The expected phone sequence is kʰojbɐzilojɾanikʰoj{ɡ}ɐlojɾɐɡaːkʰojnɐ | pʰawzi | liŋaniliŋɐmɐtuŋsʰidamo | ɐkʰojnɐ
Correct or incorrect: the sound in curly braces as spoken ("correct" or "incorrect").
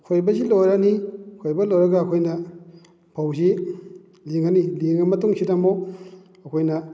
incorrect